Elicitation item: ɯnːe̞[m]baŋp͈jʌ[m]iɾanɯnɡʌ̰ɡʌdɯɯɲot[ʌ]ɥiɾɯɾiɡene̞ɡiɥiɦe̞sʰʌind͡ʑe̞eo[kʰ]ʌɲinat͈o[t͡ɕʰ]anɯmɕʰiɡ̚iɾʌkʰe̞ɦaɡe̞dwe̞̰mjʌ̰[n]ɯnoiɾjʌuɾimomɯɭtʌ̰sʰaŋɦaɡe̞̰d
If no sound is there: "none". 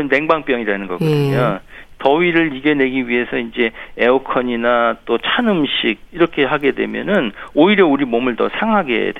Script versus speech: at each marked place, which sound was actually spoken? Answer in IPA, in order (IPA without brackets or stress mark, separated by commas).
ŋ, ŋ, ʌ, kʰ, t͡ɕʰ, n